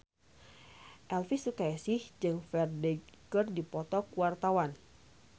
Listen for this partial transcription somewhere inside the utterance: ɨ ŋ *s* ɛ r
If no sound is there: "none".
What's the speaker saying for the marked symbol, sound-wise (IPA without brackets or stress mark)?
f